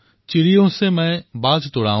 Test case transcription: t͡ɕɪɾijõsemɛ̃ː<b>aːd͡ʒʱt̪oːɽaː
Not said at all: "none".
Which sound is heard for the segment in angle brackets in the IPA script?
b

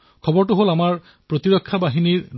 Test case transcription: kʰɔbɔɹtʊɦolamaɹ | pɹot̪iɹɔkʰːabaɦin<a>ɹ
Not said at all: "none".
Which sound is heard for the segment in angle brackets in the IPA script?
i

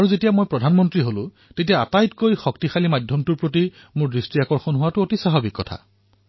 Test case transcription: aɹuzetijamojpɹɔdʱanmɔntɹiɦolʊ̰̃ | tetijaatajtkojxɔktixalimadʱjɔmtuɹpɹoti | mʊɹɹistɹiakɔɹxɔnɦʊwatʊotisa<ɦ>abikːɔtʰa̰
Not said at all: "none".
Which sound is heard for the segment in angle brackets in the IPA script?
ɦ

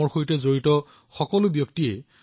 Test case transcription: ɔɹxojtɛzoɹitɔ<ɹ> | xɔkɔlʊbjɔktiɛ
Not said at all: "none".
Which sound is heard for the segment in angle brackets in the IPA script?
none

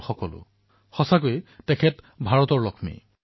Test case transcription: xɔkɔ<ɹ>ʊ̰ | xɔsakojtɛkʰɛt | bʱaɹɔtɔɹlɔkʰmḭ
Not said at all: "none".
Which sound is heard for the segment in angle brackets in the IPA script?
l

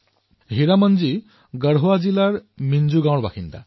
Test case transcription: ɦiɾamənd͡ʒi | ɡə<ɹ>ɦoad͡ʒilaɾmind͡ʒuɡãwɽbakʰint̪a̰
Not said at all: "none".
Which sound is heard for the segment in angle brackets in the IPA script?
ɽ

